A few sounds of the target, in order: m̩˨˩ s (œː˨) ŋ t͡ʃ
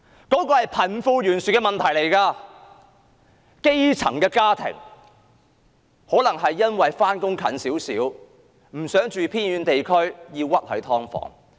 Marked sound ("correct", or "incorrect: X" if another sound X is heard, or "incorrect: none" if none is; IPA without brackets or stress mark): incorrect: œː˨˥